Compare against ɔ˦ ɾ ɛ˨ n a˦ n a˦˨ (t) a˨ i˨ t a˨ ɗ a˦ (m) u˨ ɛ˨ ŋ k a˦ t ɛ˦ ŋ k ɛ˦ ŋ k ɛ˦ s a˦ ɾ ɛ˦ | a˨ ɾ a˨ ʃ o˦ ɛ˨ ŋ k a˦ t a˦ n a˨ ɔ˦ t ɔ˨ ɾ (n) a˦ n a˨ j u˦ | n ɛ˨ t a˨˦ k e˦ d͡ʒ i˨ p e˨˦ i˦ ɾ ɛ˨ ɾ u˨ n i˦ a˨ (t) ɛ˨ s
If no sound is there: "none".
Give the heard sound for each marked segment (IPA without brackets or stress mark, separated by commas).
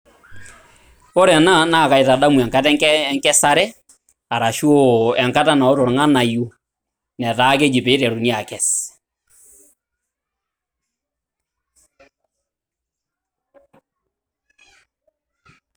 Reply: k, m, ŋ, k